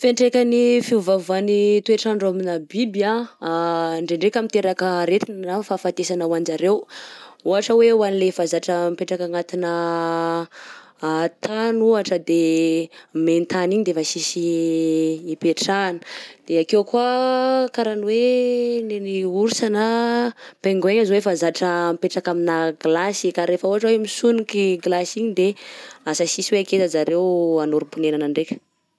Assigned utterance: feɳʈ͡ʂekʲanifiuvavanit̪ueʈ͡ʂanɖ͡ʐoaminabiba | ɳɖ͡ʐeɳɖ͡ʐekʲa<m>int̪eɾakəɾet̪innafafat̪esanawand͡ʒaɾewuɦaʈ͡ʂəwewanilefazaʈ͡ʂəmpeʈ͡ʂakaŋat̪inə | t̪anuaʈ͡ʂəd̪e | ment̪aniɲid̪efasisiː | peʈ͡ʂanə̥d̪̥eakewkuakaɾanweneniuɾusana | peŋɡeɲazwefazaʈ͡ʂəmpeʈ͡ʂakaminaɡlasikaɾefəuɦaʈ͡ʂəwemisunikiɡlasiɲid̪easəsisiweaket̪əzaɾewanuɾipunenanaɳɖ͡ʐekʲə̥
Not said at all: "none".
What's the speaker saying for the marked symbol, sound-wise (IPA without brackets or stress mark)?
m